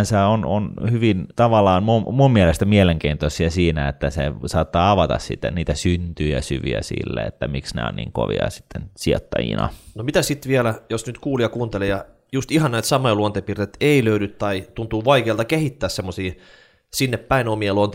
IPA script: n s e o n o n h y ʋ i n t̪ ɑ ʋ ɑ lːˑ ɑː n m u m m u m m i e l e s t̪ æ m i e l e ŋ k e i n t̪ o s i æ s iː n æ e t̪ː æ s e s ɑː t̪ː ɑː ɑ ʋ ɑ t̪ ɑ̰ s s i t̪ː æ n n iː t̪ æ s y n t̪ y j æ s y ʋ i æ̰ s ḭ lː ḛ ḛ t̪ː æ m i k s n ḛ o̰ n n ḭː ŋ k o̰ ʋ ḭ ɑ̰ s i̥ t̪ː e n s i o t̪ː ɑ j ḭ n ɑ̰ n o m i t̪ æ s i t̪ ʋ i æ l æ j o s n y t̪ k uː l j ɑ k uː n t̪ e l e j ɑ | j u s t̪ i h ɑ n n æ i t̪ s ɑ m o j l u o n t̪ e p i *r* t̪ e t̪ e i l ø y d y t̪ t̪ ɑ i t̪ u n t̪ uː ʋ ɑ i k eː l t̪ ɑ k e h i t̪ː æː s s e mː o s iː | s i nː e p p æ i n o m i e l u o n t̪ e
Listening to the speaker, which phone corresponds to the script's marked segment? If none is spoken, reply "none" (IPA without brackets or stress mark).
r